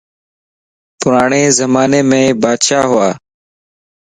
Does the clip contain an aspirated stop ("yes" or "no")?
no